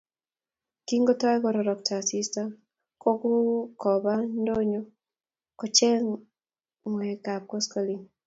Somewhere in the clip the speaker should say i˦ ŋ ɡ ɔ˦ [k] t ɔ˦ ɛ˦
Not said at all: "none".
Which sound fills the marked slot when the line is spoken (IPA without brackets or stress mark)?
none